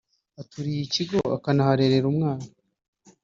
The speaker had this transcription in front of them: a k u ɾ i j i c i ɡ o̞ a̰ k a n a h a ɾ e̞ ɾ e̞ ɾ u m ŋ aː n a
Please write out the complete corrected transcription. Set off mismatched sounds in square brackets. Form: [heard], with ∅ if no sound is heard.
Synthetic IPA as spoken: a [t] u ɾ i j i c i ɡ o̞ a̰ k a n a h a ɾ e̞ ɾ e̞ ɾ u m ŋ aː n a